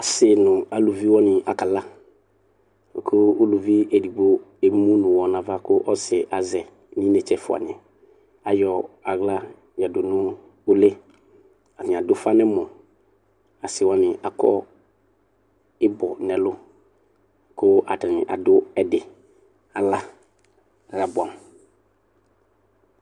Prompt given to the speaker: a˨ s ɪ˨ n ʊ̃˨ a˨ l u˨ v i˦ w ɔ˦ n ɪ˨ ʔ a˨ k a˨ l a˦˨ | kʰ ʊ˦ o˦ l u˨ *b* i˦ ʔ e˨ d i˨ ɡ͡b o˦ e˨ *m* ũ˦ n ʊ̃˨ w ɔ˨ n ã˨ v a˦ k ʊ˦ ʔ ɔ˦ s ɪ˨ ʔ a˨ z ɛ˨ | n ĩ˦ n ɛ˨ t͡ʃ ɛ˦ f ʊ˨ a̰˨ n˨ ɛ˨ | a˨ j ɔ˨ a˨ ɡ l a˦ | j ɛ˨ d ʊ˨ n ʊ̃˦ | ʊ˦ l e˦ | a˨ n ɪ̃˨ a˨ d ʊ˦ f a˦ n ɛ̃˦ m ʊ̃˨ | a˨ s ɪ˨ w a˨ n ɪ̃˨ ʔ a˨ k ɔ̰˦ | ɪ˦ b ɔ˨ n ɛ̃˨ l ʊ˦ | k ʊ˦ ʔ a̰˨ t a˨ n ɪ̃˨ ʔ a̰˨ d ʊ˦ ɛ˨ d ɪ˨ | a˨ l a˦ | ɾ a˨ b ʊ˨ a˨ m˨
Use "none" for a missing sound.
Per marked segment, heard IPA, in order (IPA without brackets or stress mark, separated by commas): v, m